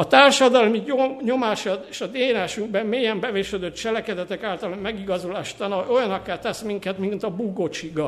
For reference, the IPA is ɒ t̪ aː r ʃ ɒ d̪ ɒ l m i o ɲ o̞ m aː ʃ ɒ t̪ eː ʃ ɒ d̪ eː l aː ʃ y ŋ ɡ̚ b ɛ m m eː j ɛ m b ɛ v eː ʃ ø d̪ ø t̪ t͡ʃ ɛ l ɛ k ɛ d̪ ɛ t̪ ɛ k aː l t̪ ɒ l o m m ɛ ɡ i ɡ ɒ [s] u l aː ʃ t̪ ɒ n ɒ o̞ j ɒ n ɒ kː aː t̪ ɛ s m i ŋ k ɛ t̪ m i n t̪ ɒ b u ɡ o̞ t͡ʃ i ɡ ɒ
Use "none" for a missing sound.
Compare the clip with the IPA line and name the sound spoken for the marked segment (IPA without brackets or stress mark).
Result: z